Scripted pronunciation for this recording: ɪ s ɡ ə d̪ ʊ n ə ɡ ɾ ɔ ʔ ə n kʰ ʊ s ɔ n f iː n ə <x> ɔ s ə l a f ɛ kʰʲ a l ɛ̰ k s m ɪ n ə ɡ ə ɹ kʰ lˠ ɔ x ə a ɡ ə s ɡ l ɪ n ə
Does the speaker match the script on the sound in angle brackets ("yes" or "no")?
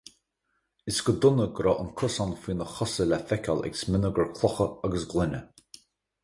yes